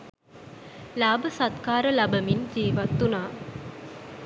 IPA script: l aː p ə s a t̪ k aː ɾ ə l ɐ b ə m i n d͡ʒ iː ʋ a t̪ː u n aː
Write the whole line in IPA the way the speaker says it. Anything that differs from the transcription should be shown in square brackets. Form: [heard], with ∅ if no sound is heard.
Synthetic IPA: l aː [b] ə s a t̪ k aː ɾ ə l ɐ b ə m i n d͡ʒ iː ʋ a t̪ː u n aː